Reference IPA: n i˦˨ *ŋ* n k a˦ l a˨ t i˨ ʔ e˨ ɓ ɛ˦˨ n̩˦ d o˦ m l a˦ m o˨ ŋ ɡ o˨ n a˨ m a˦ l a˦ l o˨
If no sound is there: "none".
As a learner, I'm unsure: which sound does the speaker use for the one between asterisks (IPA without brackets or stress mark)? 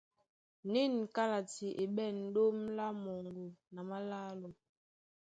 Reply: none